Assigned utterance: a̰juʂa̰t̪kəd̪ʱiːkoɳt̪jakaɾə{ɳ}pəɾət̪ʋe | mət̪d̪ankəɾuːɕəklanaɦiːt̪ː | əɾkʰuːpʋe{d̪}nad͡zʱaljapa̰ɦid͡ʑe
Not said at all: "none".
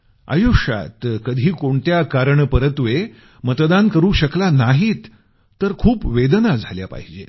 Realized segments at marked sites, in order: ɳ, d̪

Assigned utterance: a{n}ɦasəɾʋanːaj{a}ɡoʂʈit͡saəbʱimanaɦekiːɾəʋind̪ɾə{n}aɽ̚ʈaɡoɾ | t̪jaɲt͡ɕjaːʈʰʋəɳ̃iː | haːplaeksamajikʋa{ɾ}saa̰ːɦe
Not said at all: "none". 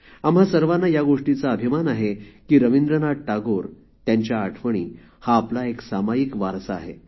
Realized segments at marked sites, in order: m, a, n, ɾ

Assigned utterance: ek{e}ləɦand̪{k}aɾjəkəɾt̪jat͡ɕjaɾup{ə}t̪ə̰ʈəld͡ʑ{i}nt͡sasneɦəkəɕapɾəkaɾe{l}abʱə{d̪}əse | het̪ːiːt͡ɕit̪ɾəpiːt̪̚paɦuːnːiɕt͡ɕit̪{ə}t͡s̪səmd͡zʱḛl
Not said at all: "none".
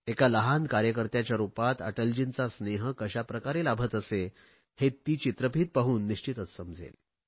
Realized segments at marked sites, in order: a, k, a, i, l, t̪, ə

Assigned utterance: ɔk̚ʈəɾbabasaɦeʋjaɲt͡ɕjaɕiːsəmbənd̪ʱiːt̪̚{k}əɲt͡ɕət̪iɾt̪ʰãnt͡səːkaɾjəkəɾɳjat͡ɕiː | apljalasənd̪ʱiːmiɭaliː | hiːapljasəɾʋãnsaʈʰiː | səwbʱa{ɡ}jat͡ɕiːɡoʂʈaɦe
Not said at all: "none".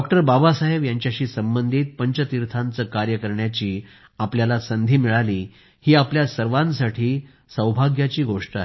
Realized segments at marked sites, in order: p, ɡ

